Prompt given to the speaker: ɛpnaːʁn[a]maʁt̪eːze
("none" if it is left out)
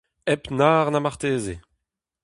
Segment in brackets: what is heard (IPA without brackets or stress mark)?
a